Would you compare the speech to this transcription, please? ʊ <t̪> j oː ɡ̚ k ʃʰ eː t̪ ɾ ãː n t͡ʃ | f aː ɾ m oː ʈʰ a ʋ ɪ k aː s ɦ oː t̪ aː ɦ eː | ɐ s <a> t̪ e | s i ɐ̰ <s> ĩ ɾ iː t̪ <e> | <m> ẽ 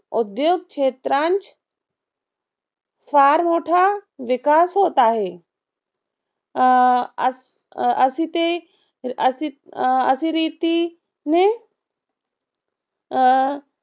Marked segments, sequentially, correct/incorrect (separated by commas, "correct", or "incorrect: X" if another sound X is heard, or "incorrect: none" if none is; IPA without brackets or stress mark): incorrect: d̪, incorrect: i, correct, incorrect: i, incorrect: n